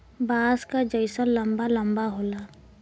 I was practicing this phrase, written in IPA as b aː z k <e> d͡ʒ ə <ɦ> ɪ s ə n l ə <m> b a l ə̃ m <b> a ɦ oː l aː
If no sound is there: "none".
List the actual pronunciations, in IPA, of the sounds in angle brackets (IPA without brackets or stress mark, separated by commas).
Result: a, none, m, b